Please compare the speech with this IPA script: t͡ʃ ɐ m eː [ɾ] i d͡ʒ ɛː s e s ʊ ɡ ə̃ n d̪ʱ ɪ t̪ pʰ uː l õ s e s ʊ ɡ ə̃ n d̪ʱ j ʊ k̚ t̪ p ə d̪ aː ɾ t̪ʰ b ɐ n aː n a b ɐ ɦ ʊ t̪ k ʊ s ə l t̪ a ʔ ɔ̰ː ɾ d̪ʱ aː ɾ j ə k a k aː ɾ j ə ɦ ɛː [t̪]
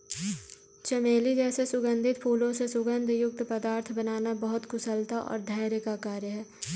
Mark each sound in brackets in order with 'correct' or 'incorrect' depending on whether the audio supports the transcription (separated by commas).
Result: incorrect, incorrect